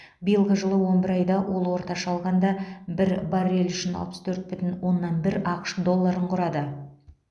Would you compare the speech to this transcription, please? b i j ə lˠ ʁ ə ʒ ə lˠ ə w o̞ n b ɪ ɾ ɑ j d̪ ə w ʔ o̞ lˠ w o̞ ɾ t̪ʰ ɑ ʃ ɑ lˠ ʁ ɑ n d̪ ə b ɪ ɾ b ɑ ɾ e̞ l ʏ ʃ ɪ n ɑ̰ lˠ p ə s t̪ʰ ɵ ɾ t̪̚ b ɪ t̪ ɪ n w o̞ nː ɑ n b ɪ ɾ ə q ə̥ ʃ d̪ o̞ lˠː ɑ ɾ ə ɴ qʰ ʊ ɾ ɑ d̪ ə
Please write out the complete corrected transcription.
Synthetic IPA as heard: b i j ə lˠ ʁ ə ʒ ə lˠ ə w o̞ n b ɪ ɾ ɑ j d̪ ɑ w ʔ o̞ lˠ w o̞ ɾ t̪ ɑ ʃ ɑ lˠ ʁ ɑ n d̪ ɑ b ɪ ɾ b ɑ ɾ e̞ l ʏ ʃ ɪ n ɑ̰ lˠ p ə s t̪ʰ ɵ ɾ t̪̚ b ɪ t̪ ɪ n w o̞ nː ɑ n b ɪ ɾ ɑ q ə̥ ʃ d̪ o̞ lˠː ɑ ɾ ə ɴ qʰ ʊ ɾ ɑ d̪ ə

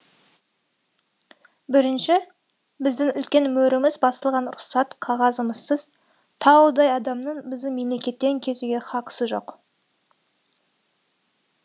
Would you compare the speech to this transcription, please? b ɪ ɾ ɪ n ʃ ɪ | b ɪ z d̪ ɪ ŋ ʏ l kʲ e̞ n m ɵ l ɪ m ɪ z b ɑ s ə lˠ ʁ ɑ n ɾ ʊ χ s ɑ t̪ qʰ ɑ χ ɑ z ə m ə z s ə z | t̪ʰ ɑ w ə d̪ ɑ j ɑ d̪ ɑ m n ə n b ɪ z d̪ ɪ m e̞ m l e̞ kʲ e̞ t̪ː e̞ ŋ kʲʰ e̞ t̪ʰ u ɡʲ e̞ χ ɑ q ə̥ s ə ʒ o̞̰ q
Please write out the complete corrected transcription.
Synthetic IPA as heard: b ɪ ɾ ɪ n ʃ ɪ | b ɪ z d̪ ɪ ŋ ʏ l kʲ e̞ n m ɵ ɾ ɪ m ɪ z b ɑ s ə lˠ ʁ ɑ n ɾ ʊ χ s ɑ t̪ qʰ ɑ ʁ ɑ z ə m ə z s ə z | t̪ʰ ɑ w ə d̪ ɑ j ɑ d̪ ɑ m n ə ɴ b ɪ z d̪ ɪ m e̞ m l e̞ kʲ e̞ t̪ː e̞ ŋ kʲʰ e̞ t̪ u ɡʲ e̞ χ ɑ q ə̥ s ə ʒ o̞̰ q

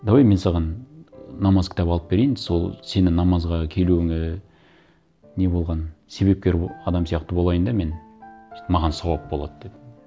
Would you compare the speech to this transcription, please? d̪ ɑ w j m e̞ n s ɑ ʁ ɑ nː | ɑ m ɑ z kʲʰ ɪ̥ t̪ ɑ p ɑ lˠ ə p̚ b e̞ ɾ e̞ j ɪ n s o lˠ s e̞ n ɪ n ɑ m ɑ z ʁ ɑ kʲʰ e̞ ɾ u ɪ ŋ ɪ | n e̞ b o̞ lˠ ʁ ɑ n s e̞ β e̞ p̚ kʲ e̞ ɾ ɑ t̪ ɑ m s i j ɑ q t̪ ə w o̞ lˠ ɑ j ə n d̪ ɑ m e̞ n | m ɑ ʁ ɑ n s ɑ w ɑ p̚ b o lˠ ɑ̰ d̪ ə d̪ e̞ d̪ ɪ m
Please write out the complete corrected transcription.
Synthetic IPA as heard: d̪ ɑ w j m e̞ n s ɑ ʁ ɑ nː | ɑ m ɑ z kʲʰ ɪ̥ t̪ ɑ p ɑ lˠ ə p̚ b e̞ ɾ e̞ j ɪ n s o lˠ s e̞ n ɪ n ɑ m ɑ z ʁ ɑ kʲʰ e̞ l u ɪ ŋ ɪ | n e̞ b o̞ lˠ ʁ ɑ n s e̞ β e̞ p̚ kʲ e̞ ɾ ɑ d̪ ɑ m s i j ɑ q t̪ ə b o̞ lˠ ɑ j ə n d̪ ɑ m e̞ n | m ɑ ʁ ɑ n s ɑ w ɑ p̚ b o lˠ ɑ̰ d̪ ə d̪ e̞ d̪ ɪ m

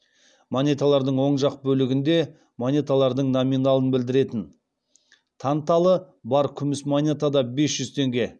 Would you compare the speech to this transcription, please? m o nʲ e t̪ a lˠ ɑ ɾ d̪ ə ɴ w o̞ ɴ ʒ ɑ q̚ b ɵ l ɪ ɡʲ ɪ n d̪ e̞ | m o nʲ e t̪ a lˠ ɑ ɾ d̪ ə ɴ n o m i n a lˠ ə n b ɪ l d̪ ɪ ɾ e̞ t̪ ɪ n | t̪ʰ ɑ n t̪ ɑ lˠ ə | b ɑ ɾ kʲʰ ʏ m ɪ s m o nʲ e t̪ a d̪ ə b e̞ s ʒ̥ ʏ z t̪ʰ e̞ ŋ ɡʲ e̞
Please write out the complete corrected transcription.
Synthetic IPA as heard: m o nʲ e t̪ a lˠ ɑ ɾ d̪ ə ɴ w o̞ ɴ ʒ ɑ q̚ b ɵ l ɪ ɡʲ ɪ n d̪ e̞ | m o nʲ e t̪ a lˠ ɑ ɾ d̪ ə ɴ n o m i n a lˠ ə n b ɪ l d̪ ɪ ɾ e̞ t̪ ɪ n | t̪ʰ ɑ n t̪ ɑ lˠ ə | b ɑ ɾ kʲʰ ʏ m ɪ s m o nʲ e t̪ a d̪ ɑ b e̞ s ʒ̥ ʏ z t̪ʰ e̞ ŋ ɡʲ e̞

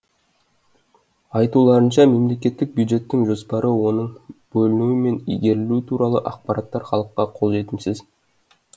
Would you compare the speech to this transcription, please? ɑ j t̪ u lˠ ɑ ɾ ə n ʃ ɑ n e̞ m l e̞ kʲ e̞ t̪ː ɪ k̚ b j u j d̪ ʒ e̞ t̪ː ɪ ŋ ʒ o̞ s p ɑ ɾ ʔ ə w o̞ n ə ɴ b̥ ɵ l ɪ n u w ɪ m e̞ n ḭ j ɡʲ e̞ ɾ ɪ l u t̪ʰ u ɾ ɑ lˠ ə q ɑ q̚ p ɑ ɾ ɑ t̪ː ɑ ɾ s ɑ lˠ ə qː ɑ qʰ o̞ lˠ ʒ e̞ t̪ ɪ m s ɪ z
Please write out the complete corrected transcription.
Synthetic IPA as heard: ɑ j t̪ u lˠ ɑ ɾ ə n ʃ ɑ m e̞ m l e̞ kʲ e̞ t̪ː ɪ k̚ b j u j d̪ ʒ e̞ t̪ː ɪ ŋ ʒ o̞ s p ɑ ɾ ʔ ə w o̞ n ə ɴ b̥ ɵ l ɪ n u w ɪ m e̞ n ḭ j ɡʲ e̞ ɾ ɪ l u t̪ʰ u ɾ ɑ lˠ ə ʔ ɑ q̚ p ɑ ɾ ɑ t̪ː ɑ ɾ χ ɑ lˠ ə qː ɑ qʰ o̞ lˠ ʒ e̞ t̪ ɪ m s ɪ z

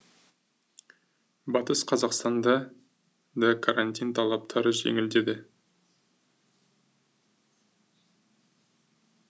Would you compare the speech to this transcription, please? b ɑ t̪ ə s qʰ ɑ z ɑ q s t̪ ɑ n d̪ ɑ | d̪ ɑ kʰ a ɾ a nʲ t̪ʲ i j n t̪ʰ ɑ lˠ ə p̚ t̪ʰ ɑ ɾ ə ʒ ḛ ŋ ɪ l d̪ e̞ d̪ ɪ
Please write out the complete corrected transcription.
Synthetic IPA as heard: b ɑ t̪ ə s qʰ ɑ z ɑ q s t̪ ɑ n d̪ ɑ | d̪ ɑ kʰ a ɾ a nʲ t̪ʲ i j n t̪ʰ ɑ lˠ ɑ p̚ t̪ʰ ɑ ɾ ə ʒ ḛ ŋ ɪ l d̪ e̞ d̪ ɪ

